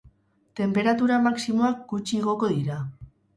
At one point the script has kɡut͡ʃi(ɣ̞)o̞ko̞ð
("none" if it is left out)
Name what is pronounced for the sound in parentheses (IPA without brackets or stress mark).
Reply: ɣ̞